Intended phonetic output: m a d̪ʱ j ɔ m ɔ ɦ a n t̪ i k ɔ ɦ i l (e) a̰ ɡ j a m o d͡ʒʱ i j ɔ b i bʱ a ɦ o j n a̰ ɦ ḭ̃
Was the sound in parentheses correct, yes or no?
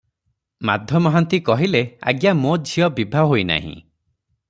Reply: yes